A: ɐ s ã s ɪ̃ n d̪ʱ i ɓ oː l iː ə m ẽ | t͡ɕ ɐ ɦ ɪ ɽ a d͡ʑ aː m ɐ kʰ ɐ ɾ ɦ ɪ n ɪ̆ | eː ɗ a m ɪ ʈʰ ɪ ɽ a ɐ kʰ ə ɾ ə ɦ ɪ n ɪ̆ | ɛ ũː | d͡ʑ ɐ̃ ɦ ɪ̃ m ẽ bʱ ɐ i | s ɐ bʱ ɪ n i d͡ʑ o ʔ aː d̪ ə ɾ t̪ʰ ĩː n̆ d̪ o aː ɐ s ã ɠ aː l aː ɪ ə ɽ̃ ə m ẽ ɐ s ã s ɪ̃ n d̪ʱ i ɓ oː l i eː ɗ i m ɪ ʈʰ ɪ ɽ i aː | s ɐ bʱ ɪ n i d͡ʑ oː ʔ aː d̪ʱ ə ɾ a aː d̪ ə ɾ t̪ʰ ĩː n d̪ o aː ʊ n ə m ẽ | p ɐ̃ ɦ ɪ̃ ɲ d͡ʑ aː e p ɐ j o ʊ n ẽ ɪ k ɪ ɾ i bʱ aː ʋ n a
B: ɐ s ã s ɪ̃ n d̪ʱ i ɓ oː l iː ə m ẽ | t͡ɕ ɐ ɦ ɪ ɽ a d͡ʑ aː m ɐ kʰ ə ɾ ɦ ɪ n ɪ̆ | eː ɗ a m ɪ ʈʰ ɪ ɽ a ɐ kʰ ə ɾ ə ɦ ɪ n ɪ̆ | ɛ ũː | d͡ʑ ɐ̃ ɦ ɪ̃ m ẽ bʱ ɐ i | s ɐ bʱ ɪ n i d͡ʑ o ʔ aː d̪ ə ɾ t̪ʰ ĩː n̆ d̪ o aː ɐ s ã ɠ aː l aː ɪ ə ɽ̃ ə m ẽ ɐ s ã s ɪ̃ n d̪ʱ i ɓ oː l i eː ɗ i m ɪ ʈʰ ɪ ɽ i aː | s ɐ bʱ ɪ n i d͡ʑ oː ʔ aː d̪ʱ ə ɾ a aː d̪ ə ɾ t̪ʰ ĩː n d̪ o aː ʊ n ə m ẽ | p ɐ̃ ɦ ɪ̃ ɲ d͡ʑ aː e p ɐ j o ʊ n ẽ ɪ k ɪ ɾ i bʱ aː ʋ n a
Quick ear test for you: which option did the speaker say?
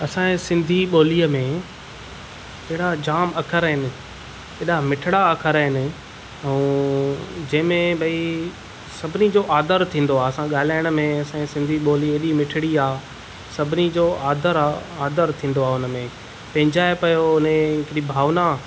B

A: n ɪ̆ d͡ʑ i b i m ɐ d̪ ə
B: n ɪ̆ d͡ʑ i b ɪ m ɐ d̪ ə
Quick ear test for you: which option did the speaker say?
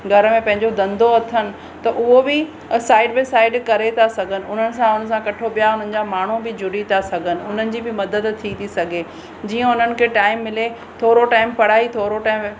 B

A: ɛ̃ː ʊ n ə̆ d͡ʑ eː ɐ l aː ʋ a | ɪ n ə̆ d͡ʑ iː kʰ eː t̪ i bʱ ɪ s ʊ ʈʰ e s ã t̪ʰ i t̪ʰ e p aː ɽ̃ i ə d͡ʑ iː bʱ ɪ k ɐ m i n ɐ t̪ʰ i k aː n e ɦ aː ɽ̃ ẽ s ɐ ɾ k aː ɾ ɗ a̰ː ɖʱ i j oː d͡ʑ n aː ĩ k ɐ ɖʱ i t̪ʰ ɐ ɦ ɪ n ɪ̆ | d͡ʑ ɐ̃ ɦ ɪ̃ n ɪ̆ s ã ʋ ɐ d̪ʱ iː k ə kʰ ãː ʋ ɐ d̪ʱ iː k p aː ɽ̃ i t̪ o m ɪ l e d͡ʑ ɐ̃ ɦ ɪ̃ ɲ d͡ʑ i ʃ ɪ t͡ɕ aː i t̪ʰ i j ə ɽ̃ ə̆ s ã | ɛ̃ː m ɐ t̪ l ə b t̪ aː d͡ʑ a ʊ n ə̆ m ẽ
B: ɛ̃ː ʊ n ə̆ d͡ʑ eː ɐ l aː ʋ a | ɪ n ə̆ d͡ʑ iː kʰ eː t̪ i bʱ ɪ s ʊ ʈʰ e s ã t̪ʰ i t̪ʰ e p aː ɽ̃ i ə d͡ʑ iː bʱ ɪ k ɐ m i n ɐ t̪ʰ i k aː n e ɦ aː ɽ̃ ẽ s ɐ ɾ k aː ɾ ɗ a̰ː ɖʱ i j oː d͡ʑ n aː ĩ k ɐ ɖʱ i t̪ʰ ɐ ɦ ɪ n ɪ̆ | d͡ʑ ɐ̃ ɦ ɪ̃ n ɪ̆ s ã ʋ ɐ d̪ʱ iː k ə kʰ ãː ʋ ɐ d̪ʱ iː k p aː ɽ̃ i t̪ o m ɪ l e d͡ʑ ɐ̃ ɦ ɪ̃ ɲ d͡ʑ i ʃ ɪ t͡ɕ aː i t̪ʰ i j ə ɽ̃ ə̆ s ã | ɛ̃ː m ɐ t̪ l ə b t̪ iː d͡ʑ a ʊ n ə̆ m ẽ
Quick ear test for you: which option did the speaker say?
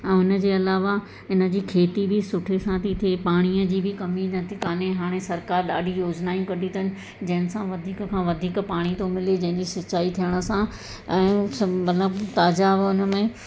A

